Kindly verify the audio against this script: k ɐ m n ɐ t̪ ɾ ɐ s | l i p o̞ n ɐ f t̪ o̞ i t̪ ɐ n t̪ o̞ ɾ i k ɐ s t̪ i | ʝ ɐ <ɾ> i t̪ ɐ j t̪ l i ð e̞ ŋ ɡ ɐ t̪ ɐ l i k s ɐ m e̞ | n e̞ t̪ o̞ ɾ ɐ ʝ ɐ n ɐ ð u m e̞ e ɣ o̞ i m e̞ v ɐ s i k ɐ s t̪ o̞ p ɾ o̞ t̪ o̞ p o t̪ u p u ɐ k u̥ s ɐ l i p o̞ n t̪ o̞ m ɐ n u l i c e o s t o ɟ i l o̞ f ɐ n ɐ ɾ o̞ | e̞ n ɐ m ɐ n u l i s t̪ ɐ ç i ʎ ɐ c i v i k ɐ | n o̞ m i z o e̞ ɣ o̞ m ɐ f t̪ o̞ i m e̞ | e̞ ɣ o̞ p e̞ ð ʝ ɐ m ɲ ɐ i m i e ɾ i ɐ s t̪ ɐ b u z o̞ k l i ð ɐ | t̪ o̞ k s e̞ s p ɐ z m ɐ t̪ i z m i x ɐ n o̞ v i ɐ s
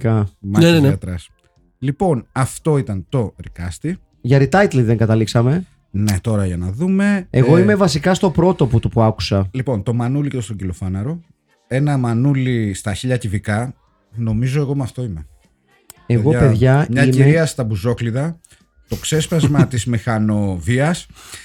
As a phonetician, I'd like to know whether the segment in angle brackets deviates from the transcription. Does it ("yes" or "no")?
no